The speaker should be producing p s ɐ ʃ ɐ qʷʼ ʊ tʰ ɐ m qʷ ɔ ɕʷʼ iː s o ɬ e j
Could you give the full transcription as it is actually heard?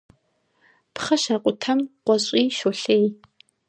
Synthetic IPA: p χ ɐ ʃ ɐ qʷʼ ʊ tʰ ɐ m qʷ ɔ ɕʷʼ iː ʃ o ɬ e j